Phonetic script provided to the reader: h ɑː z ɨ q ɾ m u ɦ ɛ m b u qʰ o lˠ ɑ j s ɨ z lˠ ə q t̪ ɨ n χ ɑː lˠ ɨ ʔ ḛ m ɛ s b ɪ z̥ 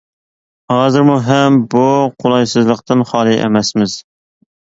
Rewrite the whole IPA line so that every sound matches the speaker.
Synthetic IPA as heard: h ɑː z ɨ ɾ m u ɦ ɛ m b u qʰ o lˠ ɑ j s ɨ z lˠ ə q t̪ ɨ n χ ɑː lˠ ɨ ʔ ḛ m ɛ s m ɪ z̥